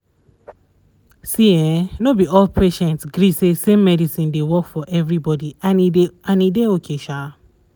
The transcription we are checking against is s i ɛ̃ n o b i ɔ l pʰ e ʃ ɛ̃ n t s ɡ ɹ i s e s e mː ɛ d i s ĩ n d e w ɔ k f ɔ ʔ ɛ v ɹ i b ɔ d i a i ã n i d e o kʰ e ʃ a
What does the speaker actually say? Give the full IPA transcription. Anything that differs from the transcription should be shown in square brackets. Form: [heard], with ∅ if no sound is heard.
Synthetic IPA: s i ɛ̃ n o b i ɔ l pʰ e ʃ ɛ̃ n t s ɡ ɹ i s e s e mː ɛ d i s ĩ n d e w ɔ k f ɔ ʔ ɛ v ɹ i b ɔ d i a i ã n i d e o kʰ e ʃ a